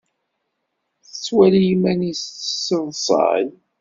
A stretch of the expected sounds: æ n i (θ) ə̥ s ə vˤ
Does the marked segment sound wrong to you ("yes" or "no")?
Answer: yes